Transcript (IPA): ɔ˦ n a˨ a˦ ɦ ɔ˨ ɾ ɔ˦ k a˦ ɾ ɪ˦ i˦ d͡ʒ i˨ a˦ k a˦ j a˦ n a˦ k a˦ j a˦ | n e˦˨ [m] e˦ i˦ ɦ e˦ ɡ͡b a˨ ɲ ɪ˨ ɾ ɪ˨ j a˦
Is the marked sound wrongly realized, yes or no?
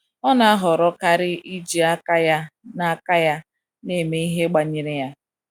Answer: no